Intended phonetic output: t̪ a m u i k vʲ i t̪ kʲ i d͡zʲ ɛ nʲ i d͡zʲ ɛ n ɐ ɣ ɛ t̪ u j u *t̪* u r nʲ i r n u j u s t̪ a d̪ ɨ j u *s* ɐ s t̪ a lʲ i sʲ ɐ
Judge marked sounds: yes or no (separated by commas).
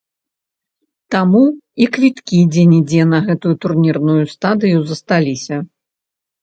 yes, no